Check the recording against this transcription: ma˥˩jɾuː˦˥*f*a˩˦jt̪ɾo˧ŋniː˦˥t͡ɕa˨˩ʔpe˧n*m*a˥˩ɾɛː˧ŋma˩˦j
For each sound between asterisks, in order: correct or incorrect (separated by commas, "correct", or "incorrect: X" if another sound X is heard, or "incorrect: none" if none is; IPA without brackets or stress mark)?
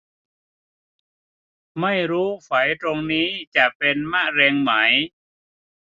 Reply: correct, correct